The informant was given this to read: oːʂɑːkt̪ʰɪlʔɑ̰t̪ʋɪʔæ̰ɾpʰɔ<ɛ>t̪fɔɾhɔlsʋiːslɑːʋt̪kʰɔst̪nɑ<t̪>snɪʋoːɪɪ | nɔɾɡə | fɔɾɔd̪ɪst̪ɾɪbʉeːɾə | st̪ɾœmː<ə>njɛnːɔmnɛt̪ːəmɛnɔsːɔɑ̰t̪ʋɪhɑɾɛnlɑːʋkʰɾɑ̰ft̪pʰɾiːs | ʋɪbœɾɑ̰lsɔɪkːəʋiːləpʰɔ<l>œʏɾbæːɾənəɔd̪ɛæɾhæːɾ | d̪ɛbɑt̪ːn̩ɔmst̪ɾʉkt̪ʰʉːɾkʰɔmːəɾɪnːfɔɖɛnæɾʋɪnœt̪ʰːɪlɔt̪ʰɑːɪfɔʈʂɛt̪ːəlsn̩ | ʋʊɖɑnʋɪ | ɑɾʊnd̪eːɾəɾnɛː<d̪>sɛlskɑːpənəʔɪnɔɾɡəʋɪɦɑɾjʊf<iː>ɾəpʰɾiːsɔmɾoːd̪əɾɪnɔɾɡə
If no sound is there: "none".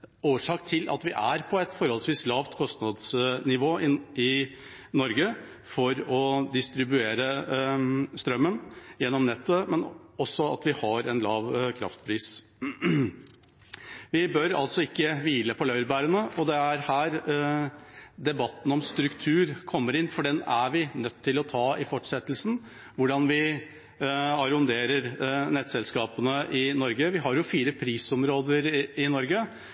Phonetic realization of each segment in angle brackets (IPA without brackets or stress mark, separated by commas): ɛ, d̪, ə, l, t̪, iː